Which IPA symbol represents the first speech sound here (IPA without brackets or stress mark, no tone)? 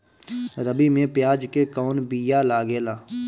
ɾ